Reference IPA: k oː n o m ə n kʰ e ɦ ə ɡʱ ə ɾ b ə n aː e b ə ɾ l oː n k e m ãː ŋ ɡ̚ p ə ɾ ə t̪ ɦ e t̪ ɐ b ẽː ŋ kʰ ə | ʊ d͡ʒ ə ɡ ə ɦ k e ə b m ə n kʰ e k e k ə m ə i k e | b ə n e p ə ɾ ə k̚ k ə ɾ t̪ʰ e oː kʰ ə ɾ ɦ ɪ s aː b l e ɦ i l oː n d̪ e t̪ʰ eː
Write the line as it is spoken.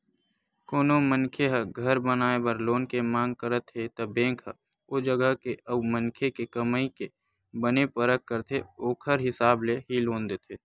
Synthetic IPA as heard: k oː n o m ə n kʰ e ɦ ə ɡʱ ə ɾ b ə n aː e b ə ɾ l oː n k e m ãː ŋ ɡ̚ k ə ɾ ə t̪ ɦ e t̪ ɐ b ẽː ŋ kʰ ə | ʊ d͡ʒ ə ɡ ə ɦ k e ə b m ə n kʰ e k e k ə m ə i k e | b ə n e p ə ɾ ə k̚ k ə ɾ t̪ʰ e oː kʰ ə ɾ ɦ ɪ s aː b l e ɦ i l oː n d̪ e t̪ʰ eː